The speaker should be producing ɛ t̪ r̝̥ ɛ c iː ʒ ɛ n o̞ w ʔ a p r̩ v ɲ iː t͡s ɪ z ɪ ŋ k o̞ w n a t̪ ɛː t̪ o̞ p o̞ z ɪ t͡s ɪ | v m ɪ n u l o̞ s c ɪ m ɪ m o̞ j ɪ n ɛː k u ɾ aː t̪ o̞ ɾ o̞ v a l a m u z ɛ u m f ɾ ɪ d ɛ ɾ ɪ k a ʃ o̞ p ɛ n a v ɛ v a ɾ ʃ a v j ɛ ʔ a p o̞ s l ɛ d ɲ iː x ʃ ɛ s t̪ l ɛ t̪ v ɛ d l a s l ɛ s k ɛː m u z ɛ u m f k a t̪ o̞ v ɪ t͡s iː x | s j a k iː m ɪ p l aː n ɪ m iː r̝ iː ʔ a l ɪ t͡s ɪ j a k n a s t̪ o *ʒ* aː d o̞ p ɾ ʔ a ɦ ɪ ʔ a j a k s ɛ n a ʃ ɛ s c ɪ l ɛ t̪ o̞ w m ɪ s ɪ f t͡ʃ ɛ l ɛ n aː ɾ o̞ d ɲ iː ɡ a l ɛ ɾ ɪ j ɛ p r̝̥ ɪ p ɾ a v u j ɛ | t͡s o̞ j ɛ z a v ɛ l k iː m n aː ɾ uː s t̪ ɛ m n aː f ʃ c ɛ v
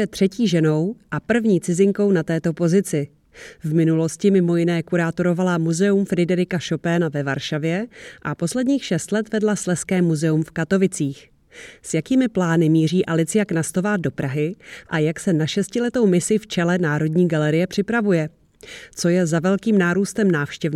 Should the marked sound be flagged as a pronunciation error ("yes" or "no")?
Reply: yes